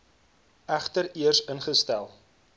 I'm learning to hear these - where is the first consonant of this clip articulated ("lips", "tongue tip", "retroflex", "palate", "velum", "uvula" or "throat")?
uvula